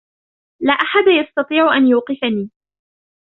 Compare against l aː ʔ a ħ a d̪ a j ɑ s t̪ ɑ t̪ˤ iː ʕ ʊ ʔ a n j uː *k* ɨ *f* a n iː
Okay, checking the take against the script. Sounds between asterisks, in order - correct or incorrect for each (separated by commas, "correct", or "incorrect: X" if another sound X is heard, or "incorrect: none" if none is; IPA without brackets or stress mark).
incorrect: q, correct